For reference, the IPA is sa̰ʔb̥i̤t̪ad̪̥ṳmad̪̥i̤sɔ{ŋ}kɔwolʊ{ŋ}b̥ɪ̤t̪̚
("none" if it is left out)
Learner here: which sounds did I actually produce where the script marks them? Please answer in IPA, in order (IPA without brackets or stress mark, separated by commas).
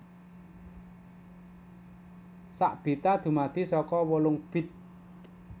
none, ŋ